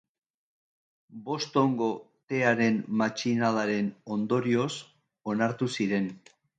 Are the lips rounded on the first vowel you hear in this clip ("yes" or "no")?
yes